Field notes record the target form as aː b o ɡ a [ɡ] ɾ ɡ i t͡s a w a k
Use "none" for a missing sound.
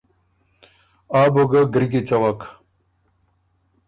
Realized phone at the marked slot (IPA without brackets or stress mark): ɡ